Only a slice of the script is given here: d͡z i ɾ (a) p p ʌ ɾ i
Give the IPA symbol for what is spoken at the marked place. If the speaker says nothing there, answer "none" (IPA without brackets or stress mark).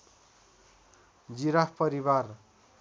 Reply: a